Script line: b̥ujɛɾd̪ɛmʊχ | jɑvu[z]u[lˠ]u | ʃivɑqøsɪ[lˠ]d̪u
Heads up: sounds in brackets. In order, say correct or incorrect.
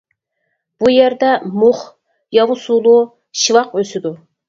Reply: incorrect: s, correct, incorrect: none

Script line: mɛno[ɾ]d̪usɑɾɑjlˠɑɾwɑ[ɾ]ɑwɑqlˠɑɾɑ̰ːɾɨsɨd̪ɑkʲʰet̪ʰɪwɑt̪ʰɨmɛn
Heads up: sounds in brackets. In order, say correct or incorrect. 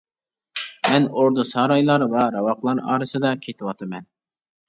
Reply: correct, correct

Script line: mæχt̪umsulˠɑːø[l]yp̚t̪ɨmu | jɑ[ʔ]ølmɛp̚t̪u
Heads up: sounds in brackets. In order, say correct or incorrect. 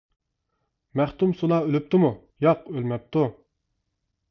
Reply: correct, incorrect: q

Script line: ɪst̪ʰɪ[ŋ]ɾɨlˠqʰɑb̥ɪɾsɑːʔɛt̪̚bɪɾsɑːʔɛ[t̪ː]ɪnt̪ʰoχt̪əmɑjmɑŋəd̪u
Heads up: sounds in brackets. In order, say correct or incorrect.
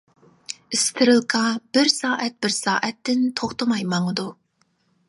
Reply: incorrect: none, correct

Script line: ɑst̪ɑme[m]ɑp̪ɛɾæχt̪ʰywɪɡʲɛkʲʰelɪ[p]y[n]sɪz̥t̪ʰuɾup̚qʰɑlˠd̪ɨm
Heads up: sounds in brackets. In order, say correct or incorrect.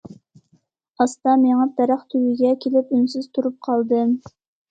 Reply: incorrect: ŋ, correct, correct

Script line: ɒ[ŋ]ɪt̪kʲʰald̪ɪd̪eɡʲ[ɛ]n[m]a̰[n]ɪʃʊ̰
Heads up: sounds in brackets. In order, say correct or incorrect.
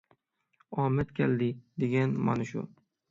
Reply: incorrect: m, incorrect: a, correct, correct

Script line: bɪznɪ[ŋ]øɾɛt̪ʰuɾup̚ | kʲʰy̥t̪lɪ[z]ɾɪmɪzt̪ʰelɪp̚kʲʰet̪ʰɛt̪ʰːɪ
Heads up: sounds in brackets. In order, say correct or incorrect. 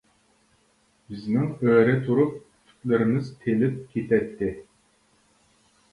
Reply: correct, incorrect: none

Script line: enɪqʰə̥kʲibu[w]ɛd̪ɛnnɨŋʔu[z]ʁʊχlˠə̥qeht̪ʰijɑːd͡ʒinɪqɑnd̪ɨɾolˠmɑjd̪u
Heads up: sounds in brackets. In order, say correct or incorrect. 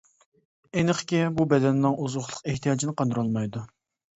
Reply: incorrect: b, correct

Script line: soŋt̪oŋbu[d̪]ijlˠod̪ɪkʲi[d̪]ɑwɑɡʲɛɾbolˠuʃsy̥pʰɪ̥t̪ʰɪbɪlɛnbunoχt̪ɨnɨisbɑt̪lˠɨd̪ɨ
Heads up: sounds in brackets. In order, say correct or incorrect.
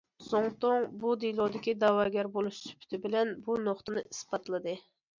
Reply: correct, correct

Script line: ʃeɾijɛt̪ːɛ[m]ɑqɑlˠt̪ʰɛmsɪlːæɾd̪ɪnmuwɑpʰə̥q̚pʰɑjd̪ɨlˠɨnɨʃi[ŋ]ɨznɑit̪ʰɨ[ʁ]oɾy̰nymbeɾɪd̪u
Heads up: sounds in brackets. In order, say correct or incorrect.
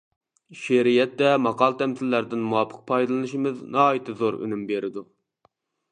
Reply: correct, incorrect: m, incorrect: z

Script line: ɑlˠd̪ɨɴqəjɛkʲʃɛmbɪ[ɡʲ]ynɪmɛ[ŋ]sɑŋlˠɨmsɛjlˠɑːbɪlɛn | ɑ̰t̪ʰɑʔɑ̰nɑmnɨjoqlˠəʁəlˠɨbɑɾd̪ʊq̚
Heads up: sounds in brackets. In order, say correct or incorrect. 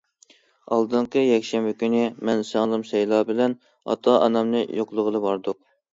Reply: incorrect: kʲ, incorrect: n

